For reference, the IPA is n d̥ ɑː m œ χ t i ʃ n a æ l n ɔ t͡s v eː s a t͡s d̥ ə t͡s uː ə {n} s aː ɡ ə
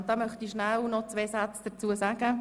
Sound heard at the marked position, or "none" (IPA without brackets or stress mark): none